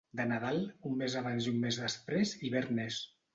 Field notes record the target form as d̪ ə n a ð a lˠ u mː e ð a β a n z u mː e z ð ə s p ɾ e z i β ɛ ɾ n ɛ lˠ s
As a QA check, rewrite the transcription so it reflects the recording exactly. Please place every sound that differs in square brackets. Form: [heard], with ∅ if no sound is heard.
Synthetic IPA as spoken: d̪ ə n a ð a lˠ u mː e [z] a β a n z u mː e z ð ə s p ɾ e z i β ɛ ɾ n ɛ [∅] s